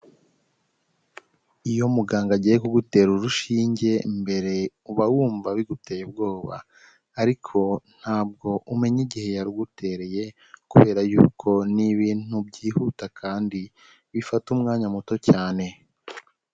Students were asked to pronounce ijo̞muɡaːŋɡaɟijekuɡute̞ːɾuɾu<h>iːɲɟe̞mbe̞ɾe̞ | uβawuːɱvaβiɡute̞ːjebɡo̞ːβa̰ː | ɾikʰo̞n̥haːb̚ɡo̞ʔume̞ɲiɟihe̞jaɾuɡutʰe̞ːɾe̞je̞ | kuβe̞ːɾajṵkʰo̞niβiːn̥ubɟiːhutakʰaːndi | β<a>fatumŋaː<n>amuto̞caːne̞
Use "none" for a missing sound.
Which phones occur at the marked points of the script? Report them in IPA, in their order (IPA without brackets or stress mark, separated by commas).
ʃ, i, ɲ